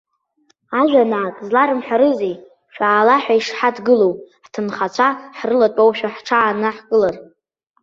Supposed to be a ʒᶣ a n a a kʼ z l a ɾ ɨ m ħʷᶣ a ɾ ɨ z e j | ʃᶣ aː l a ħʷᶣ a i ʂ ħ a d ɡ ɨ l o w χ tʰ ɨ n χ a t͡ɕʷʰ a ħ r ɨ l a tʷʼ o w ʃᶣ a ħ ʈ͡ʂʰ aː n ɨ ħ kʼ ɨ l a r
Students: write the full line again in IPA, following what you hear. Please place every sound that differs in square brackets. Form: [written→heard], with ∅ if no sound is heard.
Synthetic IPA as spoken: a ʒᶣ a n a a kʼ z l a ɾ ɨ m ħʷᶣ a ɾ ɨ z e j | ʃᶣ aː l a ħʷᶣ a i ʂ ħ a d ɡ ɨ l o w [χ→ħ] tʰ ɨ n χ a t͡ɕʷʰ a ħ r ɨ l a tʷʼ o w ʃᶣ a ħ ʈ͡ʂʰ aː n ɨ ħ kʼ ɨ l a r